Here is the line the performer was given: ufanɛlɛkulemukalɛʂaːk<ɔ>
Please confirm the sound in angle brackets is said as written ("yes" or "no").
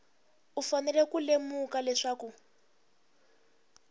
no